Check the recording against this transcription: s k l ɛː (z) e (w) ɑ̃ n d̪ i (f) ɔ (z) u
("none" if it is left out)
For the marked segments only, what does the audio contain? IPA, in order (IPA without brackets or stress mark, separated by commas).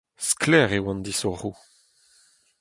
ʁ, w, s, ʁ